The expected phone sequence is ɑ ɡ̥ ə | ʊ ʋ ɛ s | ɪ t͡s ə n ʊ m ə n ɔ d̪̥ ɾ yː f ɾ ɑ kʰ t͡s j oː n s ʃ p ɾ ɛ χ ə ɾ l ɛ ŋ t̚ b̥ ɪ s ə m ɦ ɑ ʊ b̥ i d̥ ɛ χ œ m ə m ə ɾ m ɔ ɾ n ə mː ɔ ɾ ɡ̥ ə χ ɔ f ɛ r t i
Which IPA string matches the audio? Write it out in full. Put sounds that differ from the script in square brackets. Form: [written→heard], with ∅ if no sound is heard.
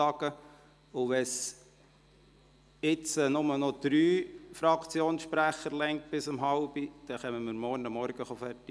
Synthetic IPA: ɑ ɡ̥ ə | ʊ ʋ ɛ s | ɪ t͡s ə n ʊ m ə n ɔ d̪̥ ɾ yː f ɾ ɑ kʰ t͡s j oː n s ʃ p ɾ [ɛ→æ] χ ə ɾ l ɛ ŋ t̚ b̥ ɪ s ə m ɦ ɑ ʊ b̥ i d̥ ɛ χ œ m ə m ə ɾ m ɔ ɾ n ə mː ɔ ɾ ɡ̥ ə χ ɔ f ɛ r t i